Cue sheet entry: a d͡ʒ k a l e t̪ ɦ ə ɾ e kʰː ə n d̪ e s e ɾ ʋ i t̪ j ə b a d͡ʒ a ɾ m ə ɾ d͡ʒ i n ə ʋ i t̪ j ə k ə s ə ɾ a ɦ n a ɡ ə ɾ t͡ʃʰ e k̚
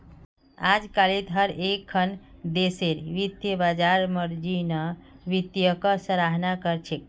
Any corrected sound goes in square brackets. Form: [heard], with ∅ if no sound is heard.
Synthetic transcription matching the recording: a d͡ʒ k a l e t̪ ɦ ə ɾ e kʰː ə n d̪ e s e ɾ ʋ i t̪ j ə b a d͡ʒ a ɾ m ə ɾ d͡ʒ i n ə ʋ i t̪ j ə k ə s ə ɾ a ɦ n a [k] ə ɾ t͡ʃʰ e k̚